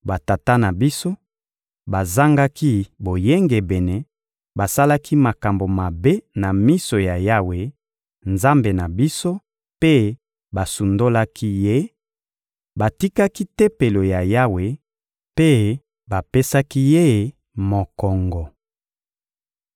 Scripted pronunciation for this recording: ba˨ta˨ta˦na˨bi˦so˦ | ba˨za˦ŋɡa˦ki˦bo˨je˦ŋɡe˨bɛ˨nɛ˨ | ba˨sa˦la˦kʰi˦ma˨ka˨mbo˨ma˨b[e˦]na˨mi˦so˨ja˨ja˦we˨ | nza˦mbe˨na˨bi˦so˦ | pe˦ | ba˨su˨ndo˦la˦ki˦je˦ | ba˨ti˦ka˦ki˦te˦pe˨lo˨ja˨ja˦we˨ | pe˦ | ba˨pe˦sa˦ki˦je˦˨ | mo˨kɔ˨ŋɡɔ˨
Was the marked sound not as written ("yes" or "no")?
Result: no